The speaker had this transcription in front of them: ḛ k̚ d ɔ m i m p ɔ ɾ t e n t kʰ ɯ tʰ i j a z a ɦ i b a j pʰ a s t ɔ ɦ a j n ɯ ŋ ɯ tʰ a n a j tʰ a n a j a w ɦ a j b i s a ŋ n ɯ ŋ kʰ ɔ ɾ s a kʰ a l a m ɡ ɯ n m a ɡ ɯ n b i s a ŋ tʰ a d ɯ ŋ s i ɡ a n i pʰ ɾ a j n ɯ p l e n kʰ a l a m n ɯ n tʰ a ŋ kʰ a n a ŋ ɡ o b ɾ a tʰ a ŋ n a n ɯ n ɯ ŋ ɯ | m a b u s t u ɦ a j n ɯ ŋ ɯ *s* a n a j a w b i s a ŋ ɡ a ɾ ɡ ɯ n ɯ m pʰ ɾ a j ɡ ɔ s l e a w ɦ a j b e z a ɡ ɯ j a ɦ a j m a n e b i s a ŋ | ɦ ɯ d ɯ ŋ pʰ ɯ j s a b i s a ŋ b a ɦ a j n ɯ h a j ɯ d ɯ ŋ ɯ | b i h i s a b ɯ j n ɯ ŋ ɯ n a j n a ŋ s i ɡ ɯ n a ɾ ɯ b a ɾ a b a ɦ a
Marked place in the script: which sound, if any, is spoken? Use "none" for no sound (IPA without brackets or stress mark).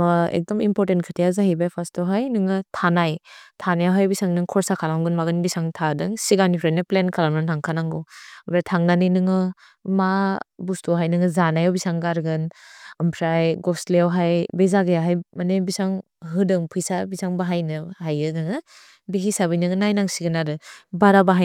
z